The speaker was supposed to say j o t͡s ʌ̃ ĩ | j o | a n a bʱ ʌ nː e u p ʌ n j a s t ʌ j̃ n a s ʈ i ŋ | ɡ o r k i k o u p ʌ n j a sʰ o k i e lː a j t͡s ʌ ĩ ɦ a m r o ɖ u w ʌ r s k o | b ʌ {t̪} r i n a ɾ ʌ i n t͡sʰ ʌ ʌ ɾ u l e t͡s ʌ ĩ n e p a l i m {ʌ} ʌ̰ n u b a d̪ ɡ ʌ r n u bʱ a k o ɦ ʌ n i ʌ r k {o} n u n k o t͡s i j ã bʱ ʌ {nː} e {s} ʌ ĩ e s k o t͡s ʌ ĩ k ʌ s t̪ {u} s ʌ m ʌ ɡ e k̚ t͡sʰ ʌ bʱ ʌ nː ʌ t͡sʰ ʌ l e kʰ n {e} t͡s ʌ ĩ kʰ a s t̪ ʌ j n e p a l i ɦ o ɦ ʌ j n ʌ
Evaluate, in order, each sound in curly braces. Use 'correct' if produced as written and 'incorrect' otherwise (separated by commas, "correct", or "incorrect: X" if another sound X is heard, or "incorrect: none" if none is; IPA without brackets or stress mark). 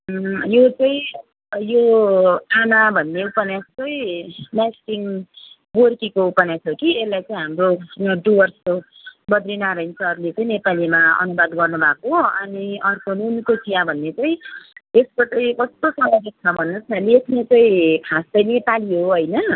incorrect: d̪, incorrect: a, correct, correct, incorrect: t͡s, incorrect: o, correct